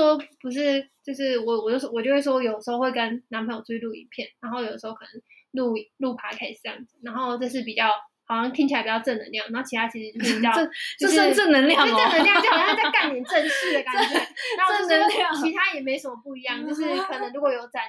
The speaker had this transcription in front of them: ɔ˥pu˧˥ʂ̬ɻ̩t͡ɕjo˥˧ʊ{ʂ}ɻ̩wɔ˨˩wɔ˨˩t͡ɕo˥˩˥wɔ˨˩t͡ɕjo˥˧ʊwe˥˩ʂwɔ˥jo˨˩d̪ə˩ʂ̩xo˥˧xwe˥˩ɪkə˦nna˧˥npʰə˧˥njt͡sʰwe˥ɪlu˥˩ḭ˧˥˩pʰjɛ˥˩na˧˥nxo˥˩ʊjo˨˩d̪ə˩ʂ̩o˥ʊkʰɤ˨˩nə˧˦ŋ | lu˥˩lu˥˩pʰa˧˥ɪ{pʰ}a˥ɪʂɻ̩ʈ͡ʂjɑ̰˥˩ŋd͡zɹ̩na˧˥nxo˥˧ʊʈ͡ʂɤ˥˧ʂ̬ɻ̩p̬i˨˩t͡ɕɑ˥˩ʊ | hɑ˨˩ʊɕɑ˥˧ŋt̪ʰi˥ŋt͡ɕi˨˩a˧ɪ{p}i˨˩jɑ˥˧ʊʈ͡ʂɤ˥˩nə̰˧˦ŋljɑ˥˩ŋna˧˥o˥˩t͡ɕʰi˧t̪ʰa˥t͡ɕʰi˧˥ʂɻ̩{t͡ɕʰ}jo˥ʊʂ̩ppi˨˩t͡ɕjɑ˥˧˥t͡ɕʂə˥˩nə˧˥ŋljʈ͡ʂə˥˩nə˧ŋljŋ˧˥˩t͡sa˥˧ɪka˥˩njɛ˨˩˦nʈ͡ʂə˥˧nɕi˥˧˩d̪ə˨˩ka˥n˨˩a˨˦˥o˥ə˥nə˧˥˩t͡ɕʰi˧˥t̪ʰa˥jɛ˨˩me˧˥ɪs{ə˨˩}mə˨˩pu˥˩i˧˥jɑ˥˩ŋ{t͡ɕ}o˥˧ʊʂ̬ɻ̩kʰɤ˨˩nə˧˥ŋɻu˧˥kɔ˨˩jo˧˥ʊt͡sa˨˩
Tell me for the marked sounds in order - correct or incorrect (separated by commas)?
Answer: correct, incorrect, correct, incorrect, correct, correct